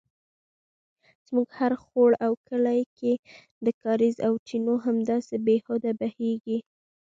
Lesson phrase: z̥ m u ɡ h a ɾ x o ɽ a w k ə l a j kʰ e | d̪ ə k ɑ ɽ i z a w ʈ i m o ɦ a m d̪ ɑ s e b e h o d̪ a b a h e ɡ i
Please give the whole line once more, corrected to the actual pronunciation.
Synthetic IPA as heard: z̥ m u ɡ h a ɾ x o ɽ a w k ə l a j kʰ e | d̪ ə k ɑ ɾ i z a w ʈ i n o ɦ a m d̪ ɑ s e b e h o d̪ a b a h e ɡ i